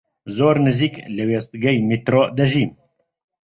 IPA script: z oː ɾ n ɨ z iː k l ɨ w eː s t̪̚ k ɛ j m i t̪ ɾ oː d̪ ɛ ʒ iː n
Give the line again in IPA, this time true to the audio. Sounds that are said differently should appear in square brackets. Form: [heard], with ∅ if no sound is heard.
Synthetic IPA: z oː ɾ n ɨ z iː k l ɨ w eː s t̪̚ [ɡ] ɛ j m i t̪ ɾ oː d̪ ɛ ʒ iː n